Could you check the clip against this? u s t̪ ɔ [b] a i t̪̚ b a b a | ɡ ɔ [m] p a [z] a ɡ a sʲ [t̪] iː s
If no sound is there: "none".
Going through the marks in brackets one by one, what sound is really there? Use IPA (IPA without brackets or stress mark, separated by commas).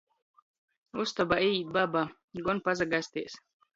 b, n, z, t̪